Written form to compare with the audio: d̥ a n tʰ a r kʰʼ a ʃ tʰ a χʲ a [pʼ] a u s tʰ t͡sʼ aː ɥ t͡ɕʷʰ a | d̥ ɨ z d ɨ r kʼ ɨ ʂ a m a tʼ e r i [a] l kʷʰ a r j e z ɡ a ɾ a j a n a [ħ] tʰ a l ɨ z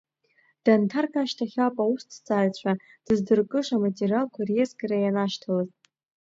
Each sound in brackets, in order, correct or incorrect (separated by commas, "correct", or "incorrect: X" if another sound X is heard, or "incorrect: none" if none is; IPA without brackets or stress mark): correct, correct, incorrect: ʃ